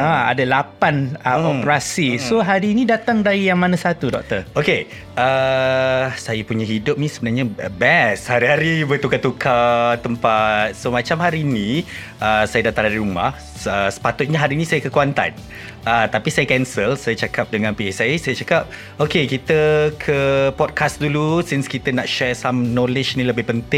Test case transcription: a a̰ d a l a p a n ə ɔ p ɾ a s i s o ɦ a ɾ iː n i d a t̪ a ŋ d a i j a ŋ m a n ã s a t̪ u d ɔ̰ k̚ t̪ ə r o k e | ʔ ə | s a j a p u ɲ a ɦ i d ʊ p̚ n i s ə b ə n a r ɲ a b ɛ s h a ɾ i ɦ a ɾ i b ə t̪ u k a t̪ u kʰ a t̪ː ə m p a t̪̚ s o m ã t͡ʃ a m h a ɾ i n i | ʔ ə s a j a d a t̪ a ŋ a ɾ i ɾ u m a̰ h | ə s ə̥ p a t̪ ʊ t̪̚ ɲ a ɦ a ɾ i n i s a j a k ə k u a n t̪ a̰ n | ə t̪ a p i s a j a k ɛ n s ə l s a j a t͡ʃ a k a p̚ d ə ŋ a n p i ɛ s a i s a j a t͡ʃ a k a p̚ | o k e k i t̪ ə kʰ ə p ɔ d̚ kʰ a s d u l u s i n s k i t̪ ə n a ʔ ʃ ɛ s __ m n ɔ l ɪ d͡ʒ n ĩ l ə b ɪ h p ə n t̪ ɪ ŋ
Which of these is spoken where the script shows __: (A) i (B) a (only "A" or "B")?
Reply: B